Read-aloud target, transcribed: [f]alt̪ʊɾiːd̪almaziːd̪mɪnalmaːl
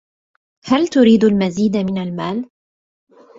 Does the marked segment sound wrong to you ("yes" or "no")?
yes